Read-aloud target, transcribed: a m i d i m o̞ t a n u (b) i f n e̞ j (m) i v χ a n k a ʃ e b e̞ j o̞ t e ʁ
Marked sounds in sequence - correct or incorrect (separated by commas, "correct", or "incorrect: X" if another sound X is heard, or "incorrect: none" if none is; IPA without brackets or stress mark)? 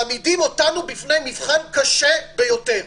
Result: correct, correct